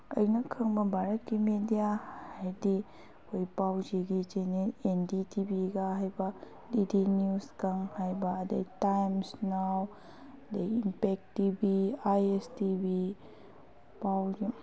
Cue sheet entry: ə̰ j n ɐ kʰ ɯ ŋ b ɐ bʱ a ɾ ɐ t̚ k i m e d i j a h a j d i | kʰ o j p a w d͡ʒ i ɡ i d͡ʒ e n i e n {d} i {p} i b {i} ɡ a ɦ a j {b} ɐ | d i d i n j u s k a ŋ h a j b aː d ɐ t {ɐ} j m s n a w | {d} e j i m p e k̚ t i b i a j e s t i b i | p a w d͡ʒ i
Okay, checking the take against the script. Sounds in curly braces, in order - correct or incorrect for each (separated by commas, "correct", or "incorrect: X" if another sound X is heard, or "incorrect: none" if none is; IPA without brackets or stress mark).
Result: correct, incorrect: t, correct, correct, incorrect: a, correct